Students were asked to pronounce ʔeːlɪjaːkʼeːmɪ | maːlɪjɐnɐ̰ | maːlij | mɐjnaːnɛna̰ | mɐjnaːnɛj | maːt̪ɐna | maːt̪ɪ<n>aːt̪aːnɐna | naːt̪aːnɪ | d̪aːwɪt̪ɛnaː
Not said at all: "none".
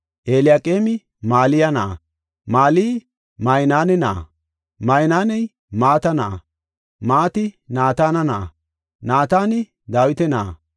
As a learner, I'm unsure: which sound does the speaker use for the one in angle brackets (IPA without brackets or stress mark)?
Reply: n